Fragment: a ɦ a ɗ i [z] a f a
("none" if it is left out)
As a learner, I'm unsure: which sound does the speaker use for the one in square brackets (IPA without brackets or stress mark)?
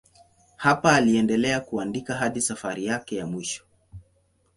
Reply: s